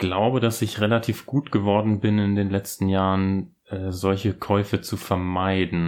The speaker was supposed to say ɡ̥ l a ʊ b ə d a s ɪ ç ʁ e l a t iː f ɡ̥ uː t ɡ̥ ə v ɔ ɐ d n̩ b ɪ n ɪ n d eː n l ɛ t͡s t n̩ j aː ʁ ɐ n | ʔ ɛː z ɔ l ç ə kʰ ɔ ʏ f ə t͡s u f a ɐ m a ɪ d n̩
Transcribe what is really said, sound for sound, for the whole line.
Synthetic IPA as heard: ɡ̥ l a ʊ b ə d a s ɪ ç ʁ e l a tʰ iː f ɡ̥ uː t ɡ̥ ə v ɔ ɐ d n̩ b ɪ n ɪ n d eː n l ɛ t͡s t n̩ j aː ʁ ə n | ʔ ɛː z ɔ l ç ə kʰ ɔ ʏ f ə t͡s u f ɛ ɐ m a ɪ d n̩